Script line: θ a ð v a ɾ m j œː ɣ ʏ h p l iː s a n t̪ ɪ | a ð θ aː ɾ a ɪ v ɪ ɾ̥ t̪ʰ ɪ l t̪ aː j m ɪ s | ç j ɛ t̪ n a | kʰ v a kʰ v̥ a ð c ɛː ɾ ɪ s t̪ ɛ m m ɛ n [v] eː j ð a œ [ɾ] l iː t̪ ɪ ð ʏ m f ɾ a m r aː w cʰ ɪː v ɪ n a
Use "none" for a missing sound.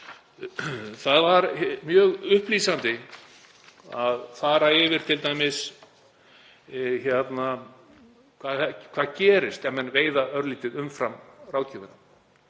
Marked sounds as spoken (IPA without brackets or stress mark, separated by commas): v, ɾ